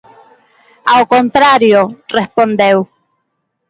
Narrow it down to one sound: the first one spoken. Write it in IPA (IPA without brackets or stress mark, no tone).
a